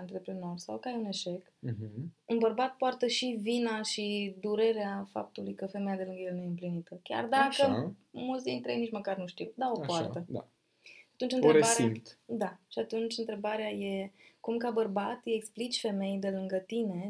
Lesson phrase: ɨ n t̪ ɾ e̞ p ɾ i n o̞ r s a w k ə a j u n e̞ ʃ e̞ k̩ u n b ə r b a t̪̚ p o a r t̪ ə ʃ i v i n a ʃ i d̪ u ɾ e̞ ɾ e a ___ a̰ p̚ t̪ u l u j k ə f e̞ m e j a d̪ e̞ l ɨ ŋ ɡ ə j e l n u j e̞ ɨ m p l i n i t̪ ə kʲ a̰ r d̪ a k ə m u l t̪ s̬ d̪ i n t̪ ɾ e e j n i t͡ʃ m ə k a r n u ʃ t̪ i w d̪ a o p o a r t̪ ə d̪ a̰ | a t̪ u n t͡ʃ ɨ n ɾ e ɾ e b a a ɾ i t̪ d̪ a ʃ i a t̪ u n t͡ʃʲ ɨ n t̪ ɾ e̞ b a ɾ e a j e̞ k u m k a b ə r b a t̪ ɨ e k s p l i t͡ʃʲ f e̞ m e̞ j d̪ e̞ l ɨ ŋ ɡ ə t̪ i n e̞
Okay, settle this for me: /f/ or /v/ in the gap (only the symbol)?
f